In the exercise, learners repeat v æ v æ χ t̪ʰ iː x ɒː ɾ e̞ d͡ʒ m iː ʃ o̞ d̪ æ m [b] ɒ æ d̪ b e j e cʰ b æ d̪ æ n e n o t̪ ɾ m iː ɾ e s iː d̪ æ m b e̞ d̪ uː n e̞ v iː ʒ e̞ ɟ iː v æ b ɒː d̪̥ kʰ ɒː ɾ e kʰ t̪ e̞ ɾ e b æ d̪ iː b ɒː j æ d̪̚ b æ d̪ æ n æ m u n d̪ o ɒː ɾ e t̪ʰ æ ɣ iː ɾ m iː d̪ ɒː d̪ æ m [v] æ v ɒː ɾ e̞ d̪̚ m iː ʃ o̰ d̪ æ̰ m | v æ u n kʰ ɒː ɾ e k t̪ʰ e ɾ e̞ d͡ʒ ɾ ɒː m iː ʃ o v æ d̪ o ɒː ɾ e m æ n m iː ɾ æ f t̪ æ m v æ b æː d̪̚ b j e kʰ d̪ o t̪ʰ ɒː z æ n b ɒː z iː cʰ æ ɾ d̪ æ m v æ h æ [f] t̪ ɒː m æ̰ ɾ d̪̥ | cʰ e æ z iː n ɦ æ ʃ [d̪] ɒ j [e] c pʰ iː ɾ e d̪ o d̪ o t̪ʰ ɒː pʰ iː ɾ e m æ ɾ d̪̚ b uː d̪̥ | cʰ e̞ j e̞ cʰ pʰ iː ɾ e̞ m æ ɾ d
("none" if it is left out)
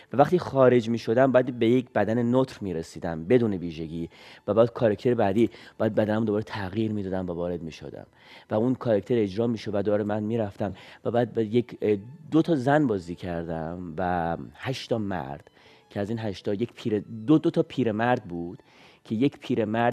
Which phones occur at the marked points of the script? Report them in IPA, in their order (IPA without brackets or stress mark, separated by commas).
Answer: b, v, ʃ, t̪, e